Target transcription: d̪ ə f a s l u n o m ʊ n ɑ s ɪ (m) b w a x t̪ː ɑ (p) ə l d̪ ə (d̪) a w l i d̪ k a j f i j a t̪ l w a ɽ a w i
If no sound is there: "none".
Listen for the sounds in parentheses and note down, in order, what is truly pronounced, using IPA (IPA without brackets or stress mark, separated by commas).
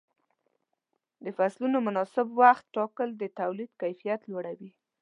none, k, t̪